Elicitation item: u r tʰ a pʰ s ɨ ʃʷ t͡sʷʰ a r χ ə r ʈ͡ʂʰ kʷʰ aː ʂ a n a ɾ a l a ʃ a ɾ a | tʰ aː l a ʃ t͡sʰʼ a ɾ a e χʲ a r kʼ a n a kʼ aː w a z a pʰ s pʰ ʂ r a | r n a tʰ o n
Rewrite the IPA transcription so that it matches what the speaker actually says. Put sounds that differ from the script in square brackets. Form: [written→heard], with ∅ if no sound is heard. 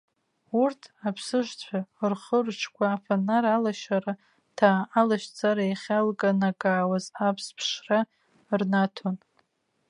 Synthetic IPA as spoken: u r tʰ a pʰ s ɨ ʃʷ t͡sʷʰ a r χ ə r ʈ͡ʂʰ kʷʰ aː [ʂ→f] a n a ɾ a l a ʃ a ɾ a | tʰ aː l a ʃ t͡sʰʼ a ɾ a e χʲ a [r→l] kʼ a n a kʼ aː w a z a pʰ s pʰ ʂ r a | r n a tʰ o n

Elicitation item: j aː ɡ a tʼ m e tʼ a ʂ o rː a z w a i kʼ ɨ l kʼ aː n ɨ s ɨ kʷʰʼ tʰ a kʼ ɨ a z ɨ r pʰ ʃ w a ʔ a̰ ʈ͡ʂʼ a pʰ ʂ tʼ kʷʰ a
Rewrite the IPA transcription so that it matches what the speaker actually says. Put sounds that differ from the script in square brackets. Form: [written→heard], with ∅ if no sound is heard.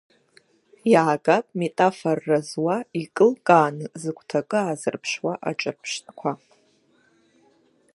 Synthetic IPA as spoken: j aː ɡ a [tʼ→pʼ] m e tʼ a [ʂ→f] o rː a z w a i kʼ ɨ l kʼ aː n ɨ [s→z] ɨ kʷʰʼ tʰ a kʼ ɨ a z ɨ r pʰ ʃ w a ʔ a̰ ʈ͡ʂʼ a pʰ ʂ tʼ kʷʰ a

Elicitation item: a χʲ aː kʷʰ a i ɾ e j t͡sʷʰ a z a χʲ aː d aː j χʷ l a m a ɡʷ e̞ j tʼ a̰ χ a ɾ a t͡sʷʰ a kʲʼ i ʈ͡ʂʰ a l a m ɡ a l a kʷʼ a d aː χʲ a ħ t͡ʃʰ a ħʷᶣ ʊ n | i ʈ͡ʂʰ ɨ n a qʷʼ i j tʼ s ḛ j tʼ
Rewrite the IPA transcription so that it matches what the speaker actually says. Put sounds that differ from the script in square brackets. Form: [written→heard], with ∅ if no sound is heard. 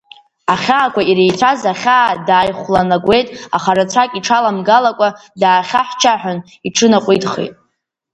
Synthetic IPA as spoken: a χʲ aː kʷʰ a i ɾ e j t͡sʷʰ a z a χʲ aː d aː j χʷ l a [m→n] a ɡʷ e̞ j tʼ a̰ χ a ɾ a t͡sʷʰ a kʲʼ i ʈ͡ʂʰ a l a m ɡ a l a kʷʼ a d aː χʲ a ħ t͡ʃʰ a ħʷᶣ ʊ n | i ʈ͡ʂʰ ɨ n a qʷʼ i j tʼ [s→χ] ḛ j tʼ

